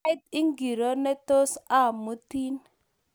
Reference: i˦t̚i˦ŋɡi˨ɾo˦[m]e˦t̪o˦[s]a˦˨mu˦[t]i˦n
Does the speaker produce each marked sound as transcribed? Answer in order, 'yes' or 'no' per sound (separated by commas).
no, yes, yes